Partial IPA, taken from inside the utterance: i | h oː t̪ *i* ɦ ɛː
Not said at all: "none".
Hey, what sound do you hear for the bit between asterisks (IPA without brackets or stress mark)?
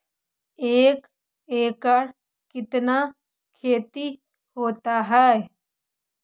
a